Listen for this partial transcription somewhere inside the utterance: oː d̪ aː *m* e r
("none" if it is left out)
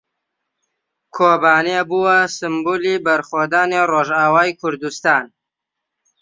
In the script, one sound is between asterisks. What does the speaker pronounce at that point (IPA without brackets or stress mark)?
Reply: n